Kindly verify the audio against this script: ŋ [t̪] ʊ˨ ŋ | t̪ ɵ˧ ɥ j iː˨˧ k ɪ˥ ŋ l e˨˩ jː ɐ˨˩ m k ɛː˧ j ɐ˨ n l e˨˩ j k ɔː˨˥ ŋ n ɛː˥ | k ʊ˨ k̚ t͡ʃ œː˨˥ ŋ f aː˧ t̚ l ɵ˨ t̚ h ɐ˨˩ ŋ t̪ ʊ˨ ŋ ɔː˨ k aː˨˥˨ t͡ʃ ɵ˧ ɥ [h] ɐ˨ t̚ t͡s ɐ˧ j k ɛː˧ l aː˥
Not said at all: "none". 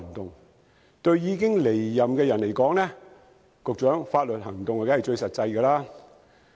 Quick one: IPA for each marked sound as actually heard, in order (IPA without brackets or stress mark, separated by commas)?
t̪, s